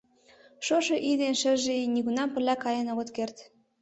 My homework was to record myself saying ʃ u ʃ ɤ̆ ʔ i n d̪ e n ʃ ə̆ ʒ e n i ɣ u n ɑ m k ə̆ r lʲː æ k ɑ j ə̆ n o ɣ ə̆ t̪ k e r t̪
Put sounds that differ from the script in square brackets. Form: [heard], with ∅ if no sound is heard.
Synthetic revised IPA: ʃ [o] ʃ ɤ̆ ʔ i [∅] d̪ e n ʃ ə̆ ʒ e n i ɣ u n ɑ m [p] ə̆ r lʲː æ k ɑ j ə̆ n o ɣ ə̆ t̪ k e r t̪